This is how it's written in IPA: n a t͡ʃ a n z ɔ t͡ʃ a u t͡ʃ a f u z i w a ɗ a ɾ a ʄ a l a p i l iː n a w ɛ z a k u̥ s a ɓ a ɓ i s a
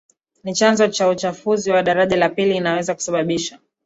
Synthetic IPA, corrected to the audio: n i t͡ʃ a n z ɔ t͡ʃ a u t͡ʃ a f u z i w a ɗ a ɾ a ʄ a l a p i l iː n a w ɛ z a k u̥ s a ɓ a ɓ i ʃ a